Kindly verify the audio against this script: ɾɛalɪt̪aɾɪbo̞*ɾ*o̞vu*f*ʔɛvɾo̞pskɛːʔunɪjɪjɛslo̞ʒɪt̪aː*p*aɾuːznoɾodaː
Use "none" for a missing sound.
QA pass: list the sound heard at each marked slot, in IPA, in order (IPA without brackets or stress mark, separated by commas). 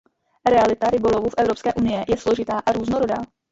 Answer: l, f, ʔ